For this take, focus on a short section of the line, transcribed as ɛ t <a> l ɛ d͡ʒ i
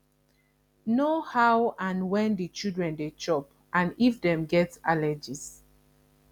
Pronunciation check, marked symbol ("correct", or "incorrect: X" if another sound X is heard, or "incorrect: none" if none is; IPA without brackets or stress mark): correct